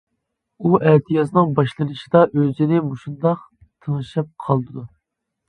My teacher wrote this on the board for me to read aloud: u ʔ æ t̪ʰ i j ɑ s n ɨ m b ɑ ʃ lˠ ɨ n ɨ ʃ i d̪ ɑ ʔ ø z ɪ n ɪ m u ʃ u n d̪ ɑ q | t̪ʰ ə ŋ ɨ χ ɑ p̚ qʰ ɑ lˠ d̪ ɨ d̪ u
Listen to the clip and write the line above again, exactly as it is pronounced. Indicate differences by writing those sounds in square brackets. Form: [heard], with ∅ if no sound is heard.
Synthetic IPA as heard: u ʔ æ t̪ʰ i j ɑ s n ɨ [ŋ] b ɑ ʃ lˠ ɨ n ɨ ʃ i d̪ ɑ ʔ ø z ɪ n ɪ m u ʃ u n d̪ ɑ q | t̪ʰ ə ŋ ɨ [ʃ] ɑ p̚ qʰ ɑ lˠ d̪ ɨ d̪ u